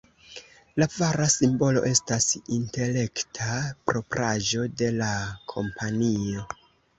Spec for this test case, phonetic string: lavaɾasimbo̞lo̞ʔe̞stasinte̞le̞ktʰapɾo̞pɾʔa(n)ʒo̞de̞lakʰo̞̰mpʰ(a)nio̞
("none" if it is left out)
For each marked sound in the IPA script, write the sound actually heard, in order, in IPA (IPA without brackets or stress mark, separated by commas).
none, a